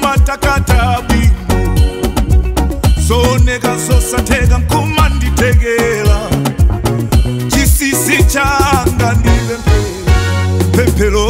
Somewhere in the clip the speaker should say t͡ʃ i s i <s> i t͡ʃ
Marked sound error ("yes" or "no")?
no